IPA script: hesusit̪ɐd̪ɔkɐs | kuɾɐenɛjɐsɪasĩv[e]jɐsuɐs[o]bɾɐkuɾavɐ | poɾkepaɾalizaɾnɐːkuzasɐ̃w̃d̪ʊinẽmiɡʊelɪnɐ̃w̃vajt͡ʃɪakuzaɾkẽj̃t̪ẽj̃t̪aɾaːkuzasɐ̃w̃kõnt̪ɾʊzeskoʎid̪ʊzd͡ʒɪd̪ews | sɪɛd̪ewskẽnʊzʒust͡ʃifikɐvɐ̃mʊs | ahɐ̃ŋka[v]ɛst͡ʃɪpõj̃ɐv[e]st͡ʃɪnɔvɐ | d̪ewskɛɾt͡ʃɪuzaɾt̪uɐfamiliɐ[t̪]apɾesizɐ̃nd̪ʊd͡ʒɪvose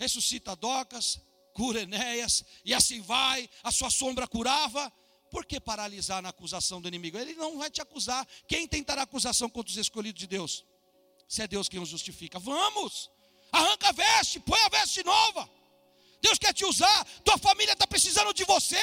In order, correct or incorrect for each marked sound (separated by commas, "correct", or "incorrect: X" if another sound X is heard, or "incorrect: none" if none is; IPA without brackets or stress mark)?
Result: incorrect: a, incorrect: õ, correct, incorrect: ɛ, correct